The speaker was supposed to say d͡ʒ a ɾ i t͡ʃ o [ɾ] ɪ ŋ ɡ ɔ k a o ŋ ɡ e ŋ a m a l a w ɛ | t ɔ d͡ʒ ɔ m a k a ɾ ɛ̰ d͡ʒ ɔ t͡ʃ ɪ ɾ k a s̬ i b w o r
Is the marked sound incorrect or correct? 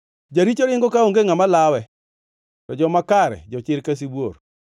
correct